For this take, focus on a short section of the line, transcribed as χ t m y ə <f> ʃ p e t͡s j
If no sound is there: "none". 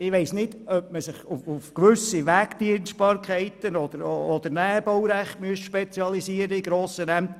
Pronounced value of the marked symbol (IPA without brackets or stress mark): s